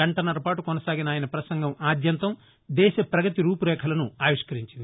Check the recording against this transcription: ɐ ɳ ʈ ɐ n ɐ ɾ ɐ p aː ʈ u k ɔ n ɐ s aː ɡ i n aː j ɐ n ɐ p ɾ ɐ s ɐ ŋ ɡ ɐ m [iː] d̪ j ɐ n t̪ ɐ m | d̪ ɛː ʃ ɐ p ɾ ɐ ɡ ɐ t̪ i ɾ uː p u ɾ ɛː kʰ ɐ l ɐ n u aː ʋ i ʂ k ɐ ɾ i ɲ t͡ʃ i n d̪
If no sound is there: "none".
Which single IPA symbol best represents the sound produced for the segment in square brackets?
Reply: aː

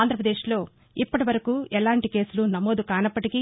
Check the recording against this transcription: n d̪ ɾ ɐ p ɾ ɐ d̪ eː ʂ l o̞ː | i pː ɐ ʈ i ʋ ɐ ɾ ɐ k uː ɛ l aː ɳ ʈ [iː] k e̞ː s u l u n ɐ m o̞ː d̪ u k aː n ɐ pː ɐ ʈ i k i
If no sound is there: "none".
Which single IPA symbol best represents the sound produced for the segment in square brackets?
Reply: i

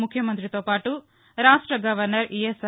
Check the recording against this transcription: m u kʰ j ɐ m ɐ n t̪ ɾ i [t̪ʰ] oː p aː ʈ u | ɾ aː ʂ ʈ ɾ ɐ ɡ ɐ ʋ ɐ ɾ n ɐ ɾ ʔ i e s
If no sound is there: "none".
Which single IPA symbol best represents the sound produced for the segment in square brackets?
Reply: t̪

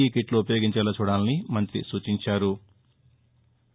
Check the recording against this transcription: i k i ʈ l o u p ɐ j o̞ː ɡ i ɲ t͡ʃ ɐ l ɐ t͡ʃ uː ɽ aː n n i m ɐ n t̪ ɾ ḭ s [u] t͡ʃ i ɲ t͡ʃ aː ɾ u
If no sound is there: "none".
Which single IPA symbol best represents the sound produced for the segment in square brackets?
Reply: uː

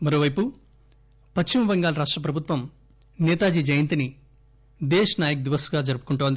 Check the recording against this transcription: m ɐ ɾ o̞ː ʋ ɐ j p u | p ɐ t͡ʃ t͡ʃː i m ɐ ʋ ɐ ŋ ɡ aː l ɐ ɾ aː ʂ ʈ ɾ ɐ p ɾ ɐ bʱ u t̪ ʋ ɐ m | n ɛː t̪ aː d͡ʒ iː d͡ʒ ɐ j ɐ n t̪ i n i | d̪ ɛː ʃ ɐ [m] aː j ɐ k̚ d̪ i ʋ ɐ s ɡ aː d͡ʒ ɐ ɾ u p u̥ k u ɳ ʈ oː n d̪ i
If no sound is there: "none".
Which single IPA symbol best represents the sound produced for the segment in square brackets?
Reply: n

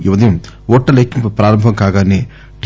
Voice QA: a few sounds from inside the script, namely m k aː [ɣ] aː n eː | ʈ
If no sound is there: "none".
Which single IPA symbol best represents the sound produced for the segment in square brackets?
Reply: ɣ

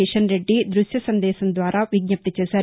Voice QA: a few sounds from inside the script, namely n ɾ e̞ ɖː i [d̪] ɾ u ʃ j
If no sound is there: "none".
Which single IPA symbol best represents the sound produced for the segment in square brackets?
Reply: d̪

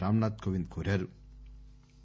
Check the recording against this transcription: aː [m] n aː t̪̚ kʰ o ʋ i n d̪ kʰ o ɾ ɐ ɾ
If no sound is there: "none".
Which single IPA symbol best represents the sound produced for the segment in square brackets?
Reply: m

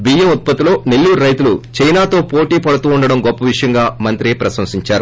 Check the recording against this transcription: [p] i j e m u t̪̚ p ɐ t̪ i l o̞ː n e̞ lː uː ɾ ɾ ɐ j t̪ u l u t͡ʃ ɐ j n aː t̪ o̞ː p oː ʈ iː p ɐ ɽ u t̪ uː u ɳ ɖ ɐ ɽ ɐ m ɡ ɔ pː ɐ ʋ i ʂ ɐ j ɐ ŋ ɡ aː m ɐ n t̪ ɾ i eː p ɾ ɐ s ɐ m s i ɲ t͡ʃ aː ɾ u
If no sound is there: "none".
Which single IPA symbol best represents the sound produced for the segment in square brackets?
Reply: b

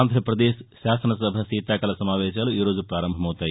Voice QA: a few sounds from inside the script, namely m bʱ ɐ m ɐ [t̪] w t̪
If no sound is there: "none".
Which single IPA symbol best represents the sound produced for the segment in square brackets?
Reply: none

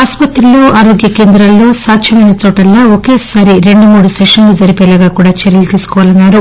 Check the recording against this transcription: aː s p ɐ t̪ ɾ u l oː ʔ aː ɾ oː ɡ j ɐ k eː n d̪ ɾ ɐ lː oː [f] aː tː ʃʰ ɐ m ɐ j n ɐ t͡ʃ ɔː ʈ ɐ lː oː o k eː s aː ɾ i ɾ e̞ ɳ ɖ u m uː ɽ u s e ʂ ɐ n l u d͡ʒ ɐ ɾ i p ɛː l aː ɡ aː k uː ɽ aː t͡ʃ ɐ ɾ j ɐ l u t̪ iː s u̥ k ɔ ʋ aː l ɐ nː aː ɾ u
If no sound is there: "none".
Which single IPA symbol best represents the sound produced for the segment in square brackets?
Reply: s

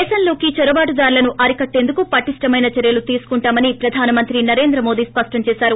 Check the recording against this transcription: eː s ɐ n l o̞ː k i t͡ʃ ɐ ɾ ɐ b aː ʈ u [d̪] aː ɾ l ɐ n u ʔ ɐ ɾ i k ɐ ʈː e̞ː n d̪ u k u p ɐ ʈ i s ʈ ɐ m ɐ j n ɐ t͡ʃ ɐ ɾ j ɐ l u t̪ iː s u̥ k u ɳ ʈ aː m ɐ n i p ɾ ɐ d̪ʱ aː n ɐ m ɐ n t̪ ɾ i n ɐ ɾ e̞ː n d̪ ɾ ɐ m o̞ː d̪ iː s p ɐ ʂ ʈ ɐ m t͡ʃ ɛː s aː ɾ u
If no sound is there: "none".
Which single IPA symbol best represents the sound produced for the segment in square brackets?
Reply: d̪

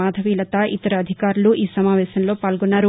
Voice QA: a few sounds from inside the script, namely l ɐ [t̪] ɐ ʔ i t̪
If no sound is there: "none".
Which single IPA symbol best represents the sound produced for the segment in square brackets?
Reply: t̪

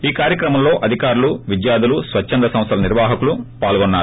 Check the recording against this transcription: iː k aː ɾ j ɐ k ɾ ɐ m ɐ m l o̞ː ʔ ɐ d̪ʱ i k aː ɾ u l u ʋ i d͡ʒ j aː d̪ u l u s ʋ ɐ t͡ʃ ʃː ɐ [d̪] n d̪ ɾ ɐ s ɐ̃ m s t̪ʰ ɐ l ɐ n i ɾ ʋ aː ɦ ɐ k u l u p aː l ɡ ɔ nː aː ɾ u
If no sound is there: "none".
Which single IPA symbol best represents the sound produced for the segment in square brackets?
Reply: none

